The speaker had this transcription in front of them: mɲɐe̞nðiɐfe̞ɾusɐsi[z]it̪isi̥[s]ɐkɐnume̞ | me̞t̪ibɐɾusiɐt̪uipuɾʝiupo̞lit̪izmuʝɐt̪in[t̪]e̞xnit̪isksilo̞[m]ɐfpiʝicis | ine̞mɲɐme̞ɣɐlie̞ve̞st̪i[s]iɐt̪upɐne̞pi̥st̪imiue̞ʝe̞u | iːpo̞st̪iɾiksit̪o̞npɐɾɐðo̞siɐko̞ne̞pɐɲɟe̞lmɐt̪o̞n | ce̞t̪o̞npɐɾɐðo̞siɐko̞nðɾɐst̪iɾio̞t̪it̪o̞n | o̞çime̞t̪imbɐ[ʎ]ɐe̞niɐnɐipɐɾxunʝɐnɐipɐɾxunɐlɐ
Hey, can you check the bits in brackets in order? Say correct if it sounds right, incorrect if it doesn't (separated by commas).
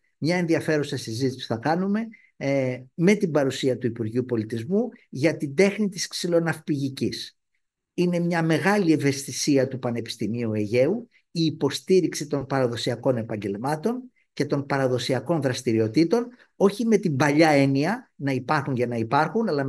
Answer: correct, incorrect, incorrect, incorrect, correct, correct